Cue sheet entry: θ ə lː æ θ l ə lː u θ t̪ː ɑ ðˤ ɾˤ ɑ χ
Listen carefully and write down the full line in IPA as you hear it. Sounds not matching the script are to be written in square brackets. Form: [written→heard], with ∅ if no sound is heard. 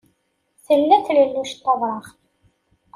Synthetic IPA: θ ə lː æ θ l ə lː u [θ→ʃ] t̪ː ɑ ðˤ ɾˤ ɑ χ